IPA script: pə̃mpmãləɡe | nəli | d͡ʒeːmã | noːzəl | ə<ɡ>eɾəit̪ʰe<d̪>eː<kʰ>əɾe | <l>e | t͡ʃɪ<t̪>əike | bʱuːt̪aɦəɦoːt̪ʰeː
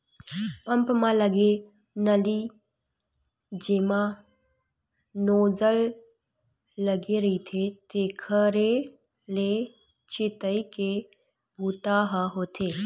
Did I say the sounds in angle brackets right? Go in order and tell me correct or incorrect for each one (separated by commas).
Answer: correct, incorrect, correct, correct, correct